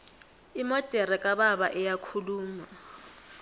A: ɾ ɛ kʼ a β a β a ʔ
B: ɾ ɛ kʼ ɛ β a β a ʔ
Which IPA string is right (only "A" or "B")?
A